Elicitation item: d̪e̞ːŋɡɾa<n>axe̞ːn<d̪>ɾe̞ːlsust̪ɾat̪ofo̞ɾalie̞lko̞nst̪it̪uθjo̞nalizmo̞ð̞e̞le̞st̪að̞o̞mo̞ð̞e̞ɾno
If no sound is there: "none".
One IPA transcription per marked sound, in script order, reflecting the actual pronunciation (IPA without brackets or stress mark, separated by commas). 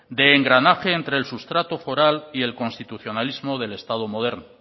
n, t̪